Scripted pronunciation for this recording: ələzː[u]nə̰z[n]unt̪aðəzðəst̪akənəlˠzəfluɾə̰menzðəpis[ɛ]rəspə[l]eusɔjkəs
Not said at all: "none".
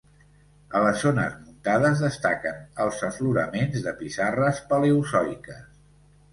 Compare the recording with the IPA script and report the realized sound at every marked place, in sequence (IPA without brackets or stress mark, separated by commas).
o, m, a, l